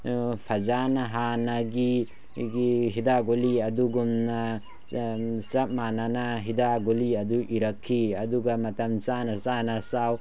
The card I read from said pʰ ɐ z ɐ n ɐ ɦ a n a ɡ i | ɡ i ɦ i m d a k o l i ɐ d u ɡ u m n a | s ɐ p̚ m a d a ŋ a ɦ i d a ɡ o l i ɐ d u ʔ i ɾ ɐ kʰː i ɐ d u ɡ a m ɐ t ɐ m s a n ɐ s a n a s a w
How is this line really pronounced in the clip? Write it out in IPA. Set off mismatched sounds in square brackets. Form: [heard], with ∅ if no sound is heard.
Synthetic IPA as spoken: pʰ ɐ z [a] n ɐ ɦ a n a ɡ i | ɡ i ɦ i [∅] d a [ɡ] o l i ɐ d u ɡ u m n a | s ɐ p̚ m a [n] a [n] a ɦ i d a ɡ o l i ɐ d u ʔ i ɾ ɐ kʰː i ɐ d u ɡ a m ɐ t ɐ m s a n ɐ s a n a s a w

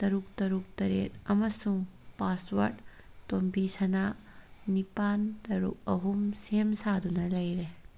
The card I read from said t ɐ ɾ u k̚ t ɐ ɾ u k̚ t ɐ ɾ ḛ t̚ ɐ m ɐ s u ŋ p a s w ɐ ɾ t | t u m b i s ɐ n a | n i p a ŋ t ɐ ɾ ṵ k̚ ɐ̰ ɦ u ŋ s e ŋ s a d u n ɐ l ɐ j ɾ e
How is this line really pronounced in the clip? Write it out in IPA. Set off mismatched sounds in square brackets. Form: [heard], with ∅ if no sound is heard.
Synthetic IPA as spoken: t ɐ ɾ u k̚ t ɐ ɾ u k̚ t ɐ ɾ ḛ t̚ ɐ m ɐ s u ŋ p a s w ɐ ɾ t | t [o] m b i s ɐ n a | n i p a [n] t ɐ ɾ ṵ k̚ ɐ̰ ɦ u [m] s e [m] s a d u n ɐ l ɐ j ɾ e

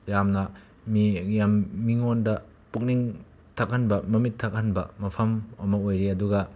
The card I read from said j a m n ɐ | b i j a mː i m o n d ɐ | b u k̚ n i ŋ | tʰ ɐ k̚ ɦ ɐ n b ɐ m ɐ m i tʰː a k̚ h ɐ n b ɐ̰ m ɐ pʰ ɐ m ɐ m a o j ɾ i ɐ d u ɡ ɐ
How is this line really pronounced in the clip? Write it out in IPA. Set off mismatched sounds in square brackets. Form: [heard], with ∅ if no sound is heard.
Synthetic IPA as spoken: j a m n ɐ | [m] i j a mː i [ŋ] o n d ɐ | [p] u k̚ n i ŋ | tʰ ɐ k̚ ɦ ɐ n b ɐ m ɐ m i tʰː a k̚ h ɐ n b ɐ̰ m ɐ pʰ ɐ m ɐ m [ɐ] o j ɾ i ɐ d u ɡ ɐ

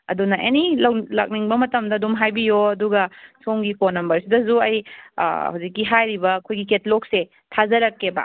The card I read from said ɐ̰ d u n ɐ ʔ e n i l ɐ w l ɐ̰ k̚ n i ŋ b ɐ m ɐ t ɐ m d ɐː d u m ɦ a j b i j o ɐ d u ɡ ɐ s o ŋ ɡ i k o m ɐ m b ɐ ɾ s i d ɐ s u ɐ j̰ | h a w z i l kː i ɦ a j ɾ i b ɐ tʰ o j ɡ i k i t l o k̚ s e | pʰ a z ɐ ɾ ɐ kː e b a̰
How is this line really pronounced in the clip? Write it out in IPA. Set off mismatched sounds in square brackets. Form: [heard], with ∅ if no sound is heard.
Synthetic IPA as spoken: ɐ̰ d u n ɐ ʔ e n i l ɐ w l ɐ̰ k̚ n i ŋ b ɐ m ɐ t ɐ m d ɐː d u m ɦ a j b i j o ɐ d u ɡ ɐ s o ŋ ɡ i k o [n] ɐ m b ɐ ɾ s i d ɐ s u ɐ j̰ | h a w z i [∅] kː i ɦ a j ɾ i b ɐ [kʰ] o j ɡ i k [e] t l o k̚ s e | [tʰ] a z ɐ ɾ ɐ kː e b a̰

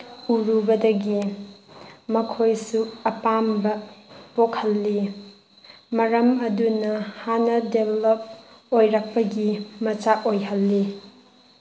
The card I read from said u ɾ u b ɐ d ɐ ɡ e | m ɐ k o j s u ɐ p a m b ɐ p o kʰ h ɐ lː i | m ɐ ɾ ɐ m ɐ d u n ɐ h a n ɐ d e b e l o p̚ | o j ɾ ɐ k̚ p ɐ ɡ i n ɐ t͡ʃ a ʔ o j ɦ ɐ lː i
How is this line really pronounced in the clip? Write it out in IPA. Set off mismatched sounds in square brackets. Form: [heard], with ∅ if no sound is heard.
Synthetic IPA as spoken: u ɾ u b ɐ d ɐ ɡ [i] | m ɐ [kʰ] o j s u ɐ p a m b ɐ p o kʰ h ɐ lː i | m ɐ ɾ ɐ m ɐ d u n ɐ h a n ɐ d e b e l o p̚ | o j ɾ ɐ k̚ p ɐ ɡ i [m] ɐ t͡ʃ a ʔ o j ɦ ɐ lː i

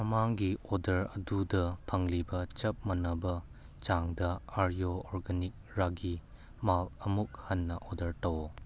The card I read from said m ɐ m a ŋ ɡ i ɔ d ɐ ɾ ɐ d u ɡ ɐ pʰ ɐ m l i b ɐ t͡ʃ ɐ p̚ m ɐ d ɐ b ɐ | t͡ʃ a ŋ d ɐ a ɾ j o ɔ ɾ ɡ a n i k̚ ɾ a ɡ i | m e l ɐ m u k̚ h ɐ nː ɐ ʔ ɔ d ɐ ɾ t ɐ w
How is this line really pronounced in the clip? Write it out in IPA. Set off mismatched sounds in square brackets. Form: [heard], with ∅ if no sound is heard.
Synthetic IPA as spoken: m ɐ m a ŋ ɡ i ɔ d ɐ ɾ ɐ d u [d] ɐ pʰ ɐ [ŋ] l i b ɐ t͡ʃ ɐ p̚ m ɐ [n] ɐ b ɐ | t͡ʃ a ŋ d ɐ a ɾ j o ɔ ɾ ɡ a n i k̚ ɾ a ɡ i | m [a] l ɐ m u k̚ h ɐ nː ɐ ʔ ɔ d ɐ ɾ t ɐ w

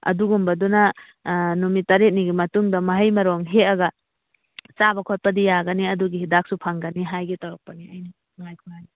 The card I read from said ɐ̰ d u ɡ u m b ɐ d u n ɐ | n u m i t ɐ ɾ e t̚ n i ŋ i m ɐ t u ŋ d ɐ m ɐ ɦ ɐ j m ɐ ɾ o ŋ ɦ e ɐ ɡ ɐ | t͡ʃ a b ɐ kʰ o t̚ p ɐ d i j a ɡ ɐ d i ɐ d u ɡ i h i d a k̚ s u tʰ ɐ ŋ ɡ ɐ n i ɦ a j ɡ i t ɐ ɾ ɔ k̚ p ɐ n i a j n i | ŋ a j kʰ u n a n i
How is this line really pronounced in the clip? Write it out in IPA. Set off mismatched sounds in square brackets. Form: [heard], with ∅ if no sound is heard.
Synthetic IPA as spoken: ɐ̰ d u ɡ u m b ɐ d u n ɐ | n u m i t ɐ ɾ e t̚ n i [ɡ] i m ɐ t u ŋ d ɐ m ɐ ɦ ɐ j m ɐ ɾ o ŋ ɦ e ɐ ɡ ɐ | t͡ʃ a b ɐ kʰ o t̚ p ɐ d i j a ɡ ɐ [n] i ɐ d u ɡ i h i d a k̚ s u [pʰ] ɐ ŋ ɡ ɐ n i ɦ a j ɡ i t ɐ ɾ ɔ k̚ p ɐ n i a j n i | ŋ a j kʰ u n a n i

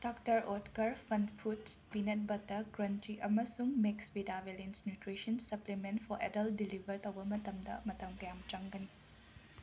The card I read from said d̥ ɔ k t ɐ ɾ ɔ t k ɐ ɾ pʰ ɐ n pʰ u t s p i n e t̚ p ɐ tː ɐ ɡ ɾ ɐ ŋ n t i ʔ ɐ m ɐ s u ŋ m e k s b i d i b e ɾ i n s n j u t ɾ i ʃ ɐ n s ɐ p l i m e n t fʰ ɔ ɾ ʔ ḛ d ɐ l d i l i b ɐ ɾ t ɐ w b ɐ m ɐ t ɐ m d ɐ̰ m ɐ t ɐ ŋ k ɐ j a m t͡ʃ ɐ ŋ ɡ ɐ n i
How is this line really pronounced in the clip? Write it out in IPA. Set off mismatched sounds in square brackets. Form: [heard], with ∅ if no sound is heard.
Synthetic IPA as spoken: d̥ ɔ k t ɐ ɾ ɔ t k ɐ ɾ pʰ ɐ n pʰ u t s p i n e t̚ [b] ɐ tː ɐ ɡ ɾ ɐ [∅] n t i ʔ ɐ m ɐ s u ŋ m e k s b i d [a] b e [l] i n s n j u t ɾ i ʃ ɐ n s ɐ p l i m e n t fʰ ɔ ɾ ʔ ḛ d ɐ l d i l i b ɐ ɾ t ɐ w b ɐ m ɐ t ɐ m d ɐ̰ m ɐ t ɐ [m] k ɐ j a m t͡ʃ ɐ ŋ ɡ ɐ n i

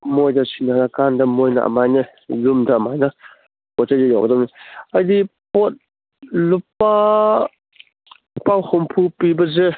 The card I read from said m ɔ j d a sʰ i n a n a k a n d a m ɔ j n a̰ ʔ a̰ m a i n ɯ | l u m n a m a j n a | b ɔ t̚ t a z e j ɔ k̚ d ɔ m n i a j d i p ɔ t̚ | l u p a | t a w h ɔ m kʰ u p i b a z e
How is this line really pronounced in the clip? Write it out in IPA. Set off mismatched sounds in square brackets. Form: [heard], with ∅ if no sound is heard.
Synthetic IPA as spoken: m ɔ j d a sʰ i n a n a k a n d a m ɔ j n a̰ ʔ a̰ m a [j] n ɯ | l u m [d] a m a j n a | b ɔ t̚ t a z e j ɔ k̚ d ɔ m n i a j d i p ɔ t̚ | l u p a | [p] a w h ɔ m [pʰ] u p i b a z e

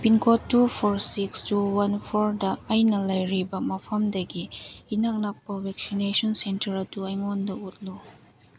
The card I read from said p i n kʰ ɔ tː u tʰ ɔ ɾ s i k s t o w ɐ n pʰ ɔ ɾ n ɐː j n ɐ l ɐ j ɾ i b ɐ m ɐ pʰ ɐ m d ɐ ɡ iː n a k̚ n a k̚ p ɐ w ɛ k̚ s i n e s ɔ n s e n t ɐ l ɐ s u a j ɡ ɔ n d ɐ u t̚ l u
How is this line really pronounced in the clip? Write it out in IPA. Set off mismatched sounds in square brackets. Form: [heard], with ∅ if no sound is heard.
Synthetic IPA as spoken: p i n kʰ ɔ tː u [pʰ] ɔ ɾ s i k s t [u] w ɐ n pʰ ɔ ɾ [d] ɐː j n ɐ l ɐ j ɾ i b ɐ m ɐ pʰ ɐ m d ɐ ɡ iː n a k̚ n a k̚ p ɐ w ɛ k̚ s i n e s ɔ n s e n t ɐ [ɾ] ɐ [t] u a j [ŋ] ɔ n d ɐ u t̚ l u

